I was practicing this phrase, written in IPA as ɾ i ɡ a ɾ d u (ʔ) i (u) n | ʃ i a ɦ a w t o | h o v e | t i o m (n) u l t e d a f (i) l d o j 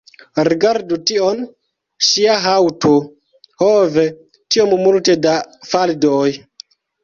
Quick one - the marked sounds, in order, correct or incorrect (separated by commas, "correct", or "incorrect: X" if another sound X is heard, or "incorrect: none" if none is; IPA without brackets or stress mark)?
incorrect: t, incorrect: o, incorrect: m, incorrect: a